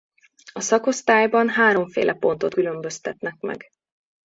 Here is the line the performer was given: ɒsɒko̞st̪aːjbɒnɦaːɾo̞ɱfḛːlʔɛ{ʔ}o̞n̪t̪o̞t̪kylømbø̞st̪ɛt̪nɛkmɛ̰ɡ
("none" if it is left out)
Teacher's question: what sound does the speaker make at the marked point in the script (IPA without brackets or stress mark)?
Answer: p